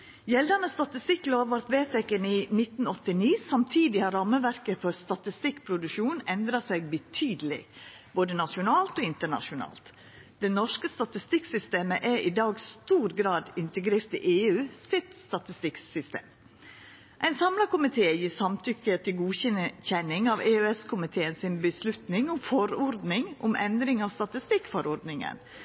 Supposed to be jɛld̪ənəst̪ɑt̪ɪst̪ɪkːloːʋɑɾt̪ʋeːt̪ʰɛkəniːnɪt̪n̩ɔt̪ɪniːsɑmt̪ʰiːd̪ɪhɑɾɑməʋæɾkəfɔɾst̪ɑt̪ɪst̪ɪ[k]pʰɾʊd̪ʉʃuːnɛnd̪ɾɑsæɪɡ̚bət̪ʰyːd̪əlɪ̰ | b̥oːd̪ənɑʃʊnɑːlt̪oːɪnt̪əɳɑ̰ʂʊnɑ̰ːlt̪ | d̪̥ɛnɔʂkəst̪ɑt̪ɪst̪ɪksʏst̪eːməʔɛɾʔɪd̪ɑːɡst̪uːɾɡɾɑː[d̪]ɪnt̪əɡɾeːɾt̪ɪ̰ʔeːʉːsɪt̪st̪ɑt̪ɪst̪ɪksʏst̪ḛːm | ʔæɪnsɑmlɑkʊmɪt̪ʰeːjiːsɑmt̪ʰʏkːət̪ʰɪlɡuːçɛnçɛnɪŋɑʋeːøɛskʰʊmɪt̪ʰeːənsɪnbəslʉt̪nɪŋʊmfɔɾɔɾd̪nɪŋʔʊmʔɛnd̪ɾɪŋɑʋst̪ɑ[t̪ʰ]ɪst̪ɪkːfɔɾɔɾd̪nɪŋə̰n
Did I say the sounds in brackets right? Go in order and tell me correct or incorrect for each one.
correct, correct, incorrect: t̪

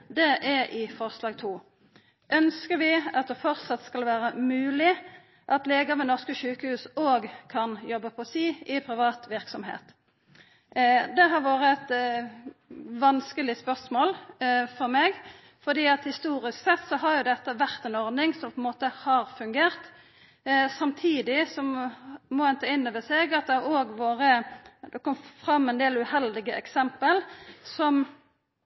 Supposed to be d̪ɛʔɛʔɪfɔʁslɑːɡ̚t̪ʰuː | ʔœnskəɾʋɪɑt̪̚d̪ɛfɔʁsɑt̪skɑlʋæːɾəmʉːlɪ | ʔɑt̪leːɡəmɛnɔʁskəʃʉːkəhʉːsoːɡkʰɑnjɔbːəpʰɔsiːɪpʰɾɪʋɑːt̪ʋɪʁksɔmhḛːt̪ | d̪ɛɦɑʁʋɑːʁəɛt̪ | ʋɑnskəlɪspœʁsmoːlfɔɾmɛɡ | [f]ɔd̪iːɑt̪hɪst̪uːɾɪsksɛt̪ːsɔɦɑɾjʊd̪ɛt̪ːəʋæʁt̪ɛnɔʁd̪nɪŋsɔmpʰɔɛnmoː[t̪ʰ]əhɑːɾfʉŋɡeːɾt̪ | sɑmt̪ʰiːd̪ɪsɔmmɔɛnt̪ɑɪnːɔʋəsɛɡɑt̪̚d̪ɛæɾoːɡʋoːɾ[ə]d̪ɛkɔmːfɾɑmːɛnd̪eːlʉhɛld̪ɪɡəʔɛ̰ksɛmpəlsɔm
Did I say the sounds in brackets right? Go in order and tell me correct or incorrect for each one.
correct, incorrect: t̪, correct

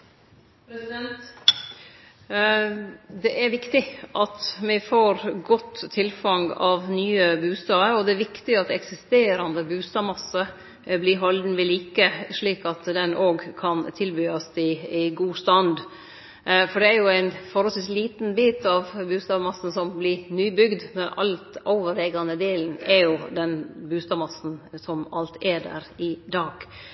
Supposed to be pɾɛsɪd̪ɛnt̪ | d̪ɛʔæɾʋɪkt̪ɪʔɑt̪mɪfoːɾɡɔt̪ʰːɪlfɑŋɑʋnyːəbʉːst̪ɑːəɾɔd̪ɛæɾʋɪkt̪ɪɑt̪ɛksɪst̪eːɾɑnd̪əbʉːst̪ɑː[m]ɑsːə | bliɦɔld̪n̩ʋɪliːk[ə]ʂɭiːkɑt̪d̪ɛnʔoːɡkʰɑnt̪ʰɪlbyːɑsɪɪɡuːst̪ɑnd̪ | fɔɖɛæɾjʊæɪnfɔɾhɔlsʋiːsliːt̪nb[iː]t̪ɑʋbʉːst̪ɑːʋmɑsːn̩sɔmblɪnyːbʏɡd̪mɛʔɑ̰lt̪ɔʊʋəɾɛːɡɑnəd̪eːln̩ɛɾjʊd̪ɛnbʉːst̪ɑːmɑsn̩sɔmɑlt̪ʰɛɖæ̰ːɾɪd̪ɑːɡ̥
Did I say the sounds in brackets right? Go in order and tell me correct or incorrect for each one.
correct, correct, correct

